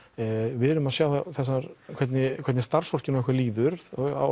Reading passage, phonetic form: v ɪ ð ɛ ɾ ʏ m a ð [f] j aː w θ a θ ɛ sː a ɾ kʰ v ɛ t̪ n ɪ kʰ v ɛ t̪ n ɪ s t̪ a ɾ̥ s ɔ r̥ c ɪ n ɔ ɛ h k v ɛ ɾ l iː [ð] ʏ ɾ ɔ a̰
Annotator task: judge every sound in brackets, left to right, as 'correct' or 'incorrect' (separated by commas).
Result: incorrect, correct